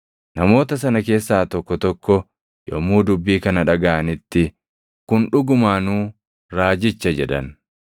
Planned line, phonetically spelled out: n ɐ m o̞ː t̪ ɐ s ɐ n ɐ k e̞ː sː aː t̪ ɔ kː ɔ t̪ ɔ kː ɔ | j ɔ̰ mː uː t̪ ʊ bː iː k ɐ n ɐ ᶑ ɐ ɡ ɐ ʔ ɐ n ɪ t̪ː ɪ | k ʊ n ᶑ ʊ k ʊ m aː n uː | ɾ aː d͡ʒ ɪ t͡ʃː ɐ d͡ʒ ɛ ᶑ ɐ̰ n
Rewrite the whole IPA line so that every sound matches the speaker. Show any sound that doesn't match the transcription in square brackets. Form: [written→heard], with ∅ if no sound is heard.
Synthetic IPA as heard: n ɐ m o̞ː t̪ ɐ s ɐ n ɐ k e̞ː sː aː t̪ ɔ kː ɔ t̪ ɔ kː ɔ | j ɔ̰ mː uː [t̪→d̪] ʊ bː iː k ɐ n ɐ ᶑ ɐ ɡ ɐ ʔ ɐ n ɪ t̪ː ɪ | k ʊ n ᶑ ʊ [k→ɡ] ʊ m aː n uː | ɾ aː d͡ʒ ɪ t͡ʃː ɐ d͡ʒ ɛ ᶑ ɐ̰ n